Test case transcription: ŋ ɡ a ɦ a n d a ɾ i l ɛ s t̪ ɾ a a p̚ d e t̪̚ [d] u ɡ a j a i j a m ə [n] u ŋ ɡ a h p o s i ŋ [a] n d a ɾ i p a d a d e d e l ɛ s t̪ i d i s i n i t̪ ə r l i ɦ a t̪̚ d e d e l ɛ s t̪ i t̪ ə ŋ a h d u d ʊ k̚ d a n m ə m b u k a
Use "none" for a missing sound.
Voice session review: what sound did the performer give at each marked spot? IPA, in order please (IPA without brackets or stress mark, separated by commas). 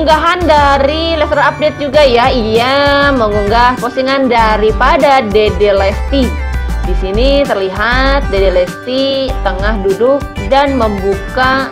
d͡ʒ, ŋ, a